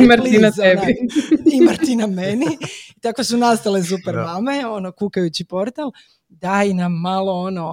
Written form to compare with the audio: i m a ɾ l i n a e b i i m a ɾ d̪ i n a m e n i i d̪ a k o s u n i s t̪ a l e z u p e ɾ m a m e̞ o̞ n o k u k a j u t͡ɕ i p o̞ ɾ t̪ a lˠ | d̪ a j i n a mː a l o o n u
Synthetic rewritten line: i m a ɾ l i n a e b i i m a ɾ t̪ i n a m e n i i t̪ a k o s u n a s t̪ a l e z u p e ɾ m a m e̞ o̞ n o k u k a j u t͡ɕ i p o̞ ɾ t̪ a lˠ | d̪ a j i n a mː a l o o n o